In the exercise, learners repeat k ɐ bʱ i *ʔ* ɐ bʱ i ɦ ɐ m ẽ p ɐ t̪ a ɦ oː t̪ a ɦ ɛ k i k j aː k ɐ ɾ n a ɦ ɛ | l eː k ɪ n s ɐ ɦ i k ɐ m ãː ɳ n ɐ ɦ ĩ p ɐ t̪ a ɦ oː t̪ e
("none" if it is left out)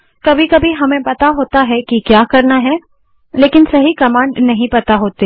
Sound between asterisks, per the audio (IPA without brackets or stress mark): k